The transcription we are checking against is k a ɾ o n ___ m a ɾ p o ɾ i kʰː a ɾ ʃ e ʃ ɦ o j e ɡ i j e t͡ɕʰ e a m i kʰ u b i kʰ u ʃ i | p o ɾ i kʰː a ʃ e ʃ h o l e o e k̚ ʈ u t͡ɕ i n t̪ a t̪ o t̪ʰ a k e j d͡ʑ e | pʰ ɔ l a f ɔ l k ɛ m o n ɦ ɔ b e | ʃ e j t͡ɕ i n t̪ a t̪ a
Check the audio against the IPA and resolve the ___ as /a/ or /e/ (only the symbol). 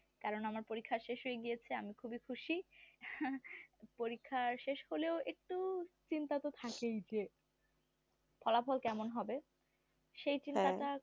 a